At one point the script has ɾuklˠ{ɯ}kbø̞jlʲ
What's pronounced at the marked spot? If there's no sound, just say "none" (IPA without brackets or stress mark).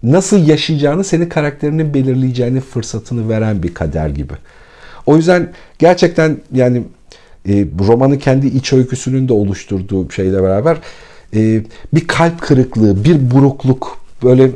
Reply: u